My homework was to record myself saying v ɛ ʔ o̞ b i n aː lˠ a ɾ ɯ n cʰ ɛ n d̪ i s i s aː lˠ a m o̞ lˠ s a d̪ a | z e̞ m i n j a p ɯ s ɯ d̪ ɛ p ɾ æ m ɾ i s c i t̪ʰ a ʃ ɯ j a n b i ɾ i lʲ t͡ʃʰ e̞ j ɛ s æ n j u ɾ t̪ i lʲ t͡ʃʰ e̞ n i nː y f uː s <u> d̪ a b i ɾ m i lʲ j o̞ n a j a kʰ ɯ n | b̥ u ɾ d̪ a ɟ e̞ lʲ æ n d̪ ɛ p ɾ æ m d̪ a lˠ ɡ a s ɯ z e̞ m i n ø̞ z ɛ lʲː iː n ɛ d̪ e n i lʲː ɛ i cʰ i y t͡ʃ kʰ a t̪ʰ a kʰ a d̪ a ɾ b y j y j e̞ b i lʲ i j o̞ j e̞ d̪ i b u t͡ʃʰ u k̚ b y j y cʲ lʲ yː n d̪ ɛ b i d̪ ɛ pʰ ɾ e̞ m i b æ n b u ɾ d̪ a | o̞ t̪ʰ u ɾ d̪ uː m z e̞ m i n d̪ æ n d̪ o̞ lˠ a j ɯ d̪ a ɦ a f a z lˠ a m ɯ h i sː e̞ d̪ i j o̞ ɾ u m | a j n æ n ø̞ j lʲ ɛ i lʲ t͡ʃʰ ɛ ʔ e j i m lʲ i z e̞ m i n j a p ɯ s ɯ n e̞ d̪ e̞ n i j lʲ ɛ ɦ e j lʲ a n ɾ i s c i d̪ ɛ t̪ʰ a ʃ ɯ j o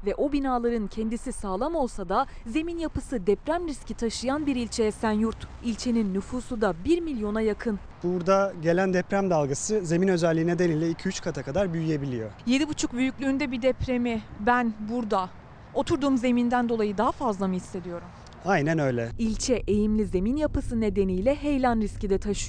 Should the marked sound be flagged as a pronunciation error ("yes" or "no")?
no